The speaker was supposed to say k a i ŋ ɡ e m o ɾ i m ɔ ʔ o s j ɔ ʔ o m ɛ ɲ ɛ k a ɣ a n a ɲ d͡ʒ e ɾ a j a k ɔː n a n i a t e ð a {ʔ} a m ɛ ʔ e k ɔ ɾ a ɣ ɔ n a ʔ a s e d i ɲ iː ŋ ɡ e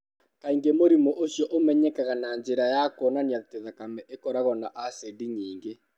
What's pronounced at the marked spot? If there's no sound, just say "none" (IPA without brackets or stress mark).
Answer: k